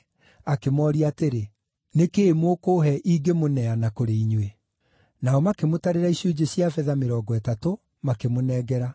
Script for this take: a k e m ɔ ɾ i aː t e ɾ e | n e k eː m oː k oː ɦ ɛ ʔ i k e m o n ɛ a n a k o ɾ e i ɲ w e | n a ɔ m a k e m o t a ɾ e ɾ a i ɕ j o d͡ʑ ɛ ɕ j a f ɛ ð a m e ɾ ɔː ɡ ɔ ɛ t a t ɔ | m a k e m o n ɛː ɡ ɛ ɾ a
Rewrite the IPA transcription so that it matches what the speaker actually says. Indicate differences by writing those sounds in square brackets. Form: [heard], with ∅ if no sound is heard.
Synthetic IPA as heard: a k e m ɔ ɾ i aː t e ɾ e | n e k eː m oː k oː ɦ ɛ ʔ i [ɡ] e m o n ɛ a n a k o ɾ e i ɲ w e | n a ɔ m a k e m o t a ɾ e ɾ a i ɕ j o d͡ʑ [e] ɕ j a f ɛ ð a m e ɾ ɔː ɡ ɔ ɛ t a t [o] | m a k e m o n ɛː ɡ ɛ ɾ a

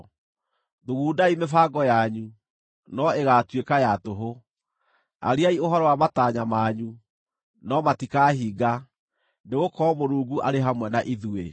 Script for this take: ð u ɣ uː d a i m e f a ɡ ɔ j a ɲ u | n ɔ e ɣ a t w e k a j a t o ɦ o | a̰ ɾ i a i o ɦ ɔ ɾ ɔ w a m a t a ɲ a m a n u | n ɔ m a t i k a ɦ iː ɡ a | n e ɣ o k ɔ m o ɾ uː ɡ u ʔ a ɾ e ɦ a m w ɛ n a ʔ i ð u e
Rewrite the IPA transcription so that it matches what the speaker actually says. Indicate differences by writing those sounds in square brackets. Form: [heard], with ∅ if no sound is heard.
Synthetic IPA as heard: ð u ɣ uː d a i m e f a ɡ ɔ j a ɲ u | n ɔ e ɣ a t w e k a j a t o ɦ o | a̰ ɾ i a i o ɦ ɔ ɾ ɔ w a m a t a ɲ a m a [ɲ] u | n ɔ m a t i k a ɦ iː ɡ a | n e ɣ o k ɔ m o ɾ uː ɡ u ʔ a ɾ e ɦ a m w ɛ n a ʔ i ð u e

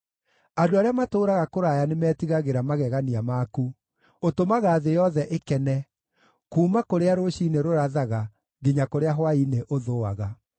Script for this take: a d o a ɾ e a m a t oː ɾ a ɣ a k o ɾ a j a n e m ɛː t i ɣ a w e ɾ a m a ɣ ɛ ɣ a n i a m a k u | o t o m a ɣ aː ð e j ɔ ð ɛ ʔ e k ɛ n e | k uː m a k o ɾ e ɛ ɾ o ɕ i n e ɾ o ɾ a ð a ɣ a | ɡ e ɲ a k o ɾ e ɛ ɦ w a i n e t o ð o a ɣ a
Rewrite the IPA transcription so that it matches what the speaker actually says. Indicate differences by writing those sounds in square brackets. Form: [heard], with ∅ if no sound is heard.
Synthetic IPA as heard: a d o a ɾ e a m a t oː ɾ a ɣ a k o ɾ a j a n e m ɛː t i ɣ a [ɣ] e ɾ a m a ɣ ɛ ɣ a n i a m a k u | o t o m a ɣ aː ð e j ɔ ð ɛ ʔ e k ɛ n [ɛ] | k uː m a k o ɾ e [a] ɾ o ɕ i n e ɾ o ɾ a ð a ɣ a | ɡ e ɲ a k o ɾ e [a] ɦ w a i n e [ʔ] o ð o a ɣ a

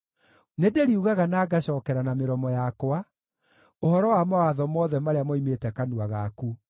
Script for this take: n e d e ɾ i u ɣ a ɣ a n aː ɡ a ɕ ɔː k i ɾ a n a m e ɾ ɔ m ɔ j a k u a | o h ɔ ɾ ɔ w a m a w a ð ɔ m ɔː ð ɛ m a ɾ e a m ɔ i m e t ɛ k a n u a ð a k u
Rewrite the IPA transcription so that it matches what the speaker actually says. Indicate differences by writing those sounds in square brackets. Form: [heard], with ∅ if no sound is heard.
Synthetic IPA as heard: n e d e ɾ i u ɣ a ɣ a n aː ɡ a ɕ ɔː k [ɛ] ɾ a n a m e ɾ ɔ m ɔ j a k [w] a | o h ɔ ɾ ɔ w a m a w a ð ɔ m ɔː ð ɛ m a ɾ e a m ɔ i m e t ɛ k a n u a [ɣ] a k u

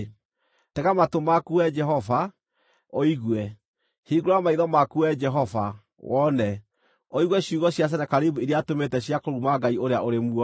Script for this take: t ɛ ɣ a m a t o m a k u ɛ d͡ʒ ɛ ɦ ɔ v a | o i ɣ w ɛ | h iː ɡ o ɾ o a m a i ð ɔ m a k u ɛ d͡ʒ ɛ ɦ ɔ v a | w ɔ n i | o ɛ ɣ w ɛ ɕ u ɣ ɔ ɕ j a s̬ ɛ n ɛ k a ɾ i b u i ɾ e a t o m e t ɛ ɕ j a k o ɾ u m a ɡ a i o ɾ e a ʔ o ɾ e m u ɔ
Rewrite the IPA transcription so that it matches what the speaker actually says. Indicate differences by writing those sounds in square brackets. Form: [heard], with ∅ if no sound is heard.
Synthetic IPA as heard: t ɛ ɣ a m a t o m a k u ɛ d͡ʒ ɛ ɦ ɔ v a | o i ɣ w ɛ | h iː ɡ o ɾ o a m a i ð ɔ m a k u ɛ d͡ʒ ɛ ɦ ɔ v a | w ɔ n [ɛ] | o [i] ɣ w ɛ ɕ u ɣ ɔ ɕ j a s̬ ɛ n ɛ k a ɾ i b u i ɾ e a t o m e t ɛ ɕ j a k o ɾ u m a ɡ a i o ɾ e a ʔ o ɾ e m u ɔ

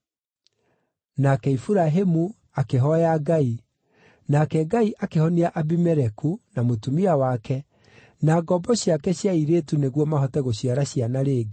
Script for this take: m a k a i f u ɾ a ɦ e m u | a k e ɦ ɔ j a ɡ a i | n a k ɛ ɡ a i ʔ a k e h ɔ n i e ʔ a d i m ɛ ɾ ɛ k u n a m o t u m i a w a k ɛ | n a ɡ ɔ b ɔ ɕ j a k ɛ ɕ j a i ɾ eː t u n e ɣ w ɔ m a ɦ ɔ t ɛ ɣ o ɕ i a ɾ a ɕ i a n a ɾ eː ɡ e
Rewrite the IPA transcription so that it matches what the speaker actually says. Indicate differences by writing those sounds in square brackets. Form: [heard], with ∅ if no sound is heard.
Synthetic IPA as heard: [n] a k [ɛ] i f u ɾ a ɦ e m u | a k e ɦ ɔ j a ɡ a i | n a k ɛ ɡ a i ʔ a k e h ɔ n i [a] ʔ a [b] i m ɛ ɾ ɛ k u n a m o t u m i a w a k ɛ | n a ɡ ɔ b ɔ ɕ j a k ɛ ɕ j a i ɾ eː t u n e ɣ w ɔ m a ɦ ɔ t ɛ ɣ o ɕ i a ɾ a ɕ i a n a ɾ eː ɡ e

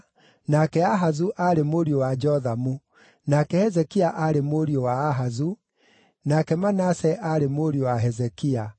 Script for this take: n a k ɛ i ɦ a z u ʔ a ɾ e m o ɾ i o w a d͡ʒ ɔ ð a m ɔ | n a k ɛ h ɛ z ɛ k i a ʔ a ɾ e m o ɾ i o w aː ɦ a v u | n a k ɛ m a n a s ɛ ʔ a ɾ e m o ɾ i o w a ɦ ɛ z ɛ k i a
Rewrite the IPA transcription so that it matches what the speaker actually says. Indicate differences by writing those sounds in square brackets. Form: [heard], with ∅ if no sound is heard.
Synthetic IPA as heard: n a k ɛ [a] ɦ a z u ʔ a ɾ e m o ɾ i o w a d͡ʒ ɔ ð a m [u] | n a k ɛ h ɛ z ɛ k i a ʔ a ɾ e m o ɾ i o w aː ɦ a [z] u | n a k ɛ m a n a s ɛ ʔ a ɾ e m o ɾ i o w a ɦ ɛ z ɛ k i a

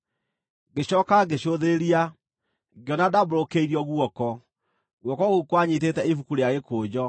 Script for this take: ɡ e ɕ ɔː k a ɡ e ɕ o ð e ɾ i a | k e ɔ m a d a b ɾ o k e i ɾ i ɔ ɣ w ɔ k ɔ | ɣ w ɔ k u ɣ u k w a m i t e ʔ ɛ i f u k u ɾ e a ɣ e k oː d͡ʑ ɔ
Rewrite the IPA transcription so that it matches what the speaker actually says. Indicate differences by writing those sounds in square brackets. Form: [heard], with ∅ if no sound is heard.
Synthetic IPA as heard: ɡ e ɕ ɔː k a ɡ e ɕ o ð e ɾ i a | [ɡ] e ɔ [n] a d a b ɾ o k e i ɾ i ɔ ɣ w ɔ k ɔ | ɣ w ɔ k [ɔ] ɣ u k w a [ɲ] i t e [t] ɛ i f u k u ɾ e a ɣ e k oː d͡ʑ ɔ

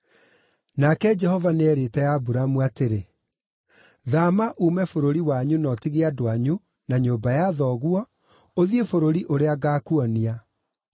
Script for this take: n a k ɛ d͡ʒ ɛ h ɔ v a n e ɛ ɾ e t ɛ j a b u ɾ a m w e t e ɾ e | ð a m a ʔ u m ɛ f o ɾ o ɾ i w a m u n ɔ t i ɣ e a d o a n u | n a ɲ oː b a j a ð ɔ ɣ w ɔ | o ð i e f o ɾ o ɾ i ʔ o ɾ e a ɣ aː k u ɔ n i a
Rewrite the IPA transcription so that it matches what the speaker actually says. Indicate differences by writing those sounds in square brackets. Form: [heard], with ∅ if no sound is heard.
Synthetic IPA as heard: n a k ɛ d͡ʒ ɛ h ɔ v a n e ɛ ɾ e t ɛ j a b u ɾ a m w [a] t e ɾ e | ð a m a ʔ u m ɛ f o ɾ o ɾ i w a [ɲ] u n ɔ t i ɣ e a d o a [ɲ] u | n a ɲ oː b a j a ð ɔ ɣ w ɔ | o ð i e f o ɾ o ɾ i ʔ o ɾ e a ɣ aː k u ɔ n i a

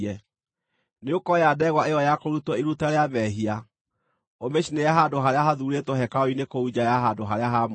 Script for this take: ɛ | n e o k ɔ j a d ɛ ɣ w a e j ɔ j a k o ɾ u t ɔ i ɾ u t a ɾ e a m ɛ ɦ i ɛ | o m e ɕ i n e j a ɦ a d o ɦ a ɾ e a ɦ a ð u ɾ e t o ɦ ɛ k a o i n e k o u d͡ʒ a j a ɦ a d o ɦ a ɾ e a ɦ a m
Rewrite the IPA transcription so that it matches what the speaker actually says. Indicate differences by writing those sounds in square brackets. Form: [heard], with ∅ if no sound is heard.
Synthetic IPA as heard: ɛ | n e o k ɔ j a d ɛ ɣ w a e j ɔ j a k o ɾ u t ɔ i ɾ u t a ɾ e a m ɛ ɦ i [a] | o m e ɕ i n e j a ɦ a d o ɦ a ɾ e a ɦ a ð u ɾ e t o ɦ ɛ k a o i n e k o u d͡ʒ a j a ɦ a d o ɦ a ɾ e a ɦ a m

